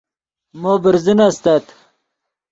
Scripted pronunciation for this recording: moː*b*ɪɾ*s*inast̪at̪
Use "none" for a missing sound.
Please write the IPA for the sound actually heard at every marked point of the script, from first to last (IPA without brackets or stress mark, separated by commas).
b, z